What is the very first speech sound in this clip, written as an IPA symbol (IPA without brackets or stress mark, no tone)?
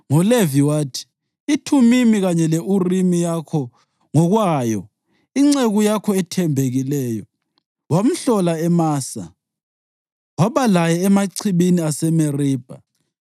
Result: ŋ